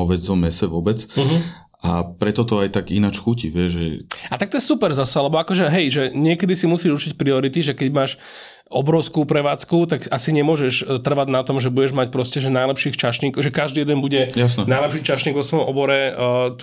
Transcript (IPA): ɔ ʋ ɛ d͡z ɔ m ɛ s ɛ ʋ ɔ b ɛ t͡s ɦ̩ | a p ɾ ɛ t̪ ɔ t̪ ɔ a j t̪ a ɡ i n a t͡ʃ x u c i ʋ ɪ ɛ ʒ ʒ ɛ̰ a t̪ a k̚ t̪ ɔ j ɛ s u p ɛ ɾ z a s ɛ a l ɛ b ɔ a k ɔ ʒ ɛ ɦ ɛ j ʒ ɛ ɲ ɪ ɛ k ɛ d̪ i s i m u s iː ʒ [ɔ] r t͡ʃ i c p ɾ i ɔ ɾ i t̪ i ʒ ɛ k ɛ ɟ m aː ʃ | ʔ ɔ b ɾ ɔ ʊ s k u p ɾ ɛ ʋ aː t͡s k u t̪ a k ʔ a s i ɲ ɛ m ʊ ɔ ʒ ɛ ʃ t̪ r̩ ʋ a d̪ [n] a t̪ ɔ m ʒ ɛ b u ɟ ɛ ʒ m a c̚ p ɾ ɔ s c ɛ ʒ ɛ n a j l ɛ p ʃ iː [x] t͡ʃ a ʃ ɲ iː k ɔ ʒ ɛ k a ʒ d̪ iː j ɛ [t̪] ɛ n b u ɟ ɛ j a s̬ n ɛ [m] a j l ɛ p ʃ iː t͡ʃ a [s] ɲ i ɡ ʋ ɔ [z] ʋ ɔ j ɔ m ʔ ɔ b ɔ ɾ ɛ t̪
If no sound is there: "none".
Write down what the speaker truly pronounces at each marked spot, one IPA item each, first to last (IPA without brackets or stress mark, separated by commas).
u, n, x, d̪, n, ʃ, s